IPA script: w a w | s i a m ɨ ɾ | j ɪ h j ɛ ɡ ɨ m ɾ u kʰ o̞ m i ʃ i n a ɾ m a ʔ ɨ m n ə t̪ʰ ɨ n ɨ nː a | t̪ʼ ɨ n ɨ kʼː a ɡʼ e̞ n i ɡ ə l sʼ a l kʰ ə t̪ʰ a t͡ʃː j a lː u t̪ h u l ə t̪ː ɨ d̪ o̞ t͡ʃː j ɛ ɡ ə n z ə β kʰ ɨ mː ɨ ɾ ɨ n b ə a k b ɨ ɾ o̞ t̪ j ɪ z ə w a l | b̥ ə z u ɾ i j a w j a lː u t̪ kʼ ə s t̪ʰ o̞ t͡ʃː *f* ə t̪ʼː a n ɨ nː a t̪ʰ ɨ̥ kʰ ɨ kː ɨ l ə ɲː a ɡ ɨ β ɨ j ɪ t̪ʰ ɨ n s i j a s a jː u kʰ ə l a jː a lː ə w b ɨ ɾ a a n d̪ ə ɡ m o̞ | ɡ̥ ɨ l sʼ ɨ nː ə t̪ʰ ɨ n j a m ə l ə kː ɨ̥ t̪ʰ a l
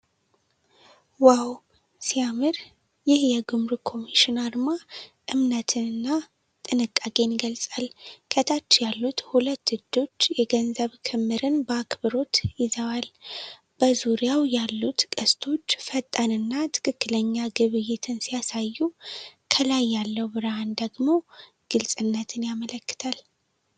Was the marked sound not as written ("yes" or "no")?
no